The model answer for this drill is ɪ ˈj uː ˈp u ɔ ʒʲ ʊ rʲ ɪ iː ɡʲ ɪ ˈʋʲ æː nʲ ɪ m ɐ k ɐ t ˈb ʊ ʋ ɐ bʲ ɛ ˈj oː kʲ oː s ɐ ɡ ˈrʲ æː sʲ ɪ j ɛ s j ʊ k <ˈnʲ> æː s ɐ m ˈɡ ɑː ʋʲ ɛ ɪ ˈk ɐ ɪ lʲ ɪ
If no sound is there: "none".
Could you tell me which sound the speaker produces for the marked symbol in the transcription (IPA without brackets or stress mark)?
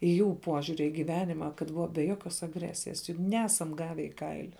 nʲ